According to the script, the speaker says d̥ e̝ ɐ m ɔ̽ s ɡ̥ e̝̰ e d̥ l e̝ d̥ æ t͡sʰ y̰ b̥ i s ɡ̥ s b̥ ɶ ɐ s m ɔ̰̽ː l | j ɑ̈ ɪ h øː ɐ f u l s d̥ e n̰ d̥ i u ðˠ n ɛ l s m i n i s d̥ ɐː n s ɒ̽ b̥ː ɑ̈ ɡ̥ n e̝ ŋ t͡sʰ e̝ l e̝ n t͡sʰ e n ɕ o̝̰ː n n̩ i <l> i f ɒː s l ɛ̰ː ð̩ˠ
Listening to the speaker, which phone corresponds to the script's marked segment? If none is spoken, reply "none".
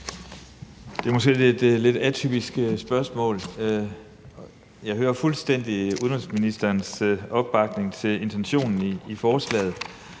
none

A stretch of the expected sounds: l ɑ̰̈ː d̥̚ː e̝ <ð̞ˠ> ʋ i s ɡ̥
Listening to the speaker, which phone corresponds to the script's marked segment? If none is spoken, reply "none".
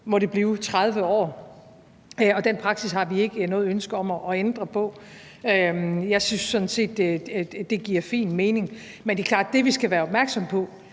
none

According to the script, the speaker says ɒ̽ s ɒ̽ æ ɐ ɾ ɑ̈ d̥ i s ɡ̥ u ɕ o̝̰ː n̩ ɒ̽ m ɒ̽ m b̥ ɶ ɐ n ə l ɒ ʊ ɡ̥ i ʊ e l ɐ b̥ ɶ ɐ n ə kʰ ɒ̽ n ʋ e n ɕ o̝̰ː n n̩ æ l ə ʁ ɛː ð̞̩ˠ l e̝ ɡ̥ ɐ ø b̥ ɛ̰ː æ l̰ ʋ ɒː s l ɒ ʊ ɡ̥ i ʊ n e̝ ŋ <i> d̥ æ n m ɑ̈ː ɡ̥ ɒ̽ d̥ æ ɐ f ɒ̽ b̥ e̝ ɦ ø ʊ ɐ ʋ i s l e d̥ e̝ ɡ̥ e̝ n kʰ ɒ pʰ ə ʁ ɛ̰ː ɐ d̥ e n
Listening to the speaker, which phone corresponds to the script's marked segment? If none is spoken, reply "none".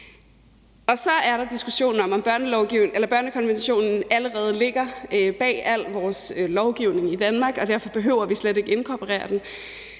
i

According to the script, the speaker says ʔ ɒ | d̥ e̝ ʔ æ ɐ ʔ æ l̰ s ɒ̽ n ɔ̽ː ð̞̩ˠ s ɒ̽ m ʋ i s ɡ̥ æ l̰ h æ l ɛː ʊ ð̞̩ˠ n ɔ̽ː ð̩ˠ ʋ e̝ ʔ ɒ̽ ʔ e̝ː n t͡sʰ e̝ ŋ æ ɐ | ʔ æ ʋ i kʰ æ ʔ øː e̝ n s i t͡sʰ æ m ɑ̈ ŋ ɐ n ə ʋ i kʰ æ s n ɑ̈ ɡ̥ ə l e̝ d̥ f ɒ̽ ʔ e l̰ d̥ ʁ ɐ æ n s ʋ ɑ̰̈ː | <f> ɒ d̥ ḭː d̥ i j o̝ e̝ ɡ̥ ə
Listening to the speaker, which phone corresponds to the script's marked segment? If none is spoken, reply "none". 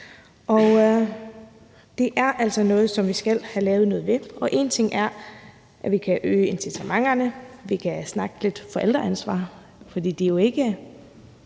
f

